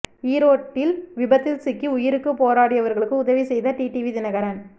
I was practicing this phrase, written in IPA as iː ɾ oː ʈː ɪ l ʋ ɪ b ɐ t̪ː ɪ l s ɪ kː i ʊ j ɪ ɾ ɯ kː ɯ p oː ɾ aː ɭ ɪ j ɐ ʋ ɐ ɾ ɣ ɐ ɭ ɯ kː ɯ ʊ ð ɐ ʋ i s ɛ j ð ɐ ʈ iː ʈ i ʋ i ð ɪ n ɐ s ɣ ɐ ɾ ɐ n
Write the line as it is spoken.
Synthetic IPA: iː ɾ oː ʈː ɪ l ʋ ɪ b ɐ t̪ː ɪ l s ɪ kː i ʊ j ɪ ɾ ɯ kː ɯ p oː ɾ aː ɽ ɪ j ɐ ʋ ɐ ɾ ɣ ɐ ɭ ɯ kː ɯ ʊ ð ɐ ʋ i s ɛ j ð ɐ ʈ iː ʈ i ʋ i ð ɪ n ɐ ɣ ɐ ɾ ɐ n